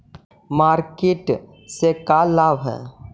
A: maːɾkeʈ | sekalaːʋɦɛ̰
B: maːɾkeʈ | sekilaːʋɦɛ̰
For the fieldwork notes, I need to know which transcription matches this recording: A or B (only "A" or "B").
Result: A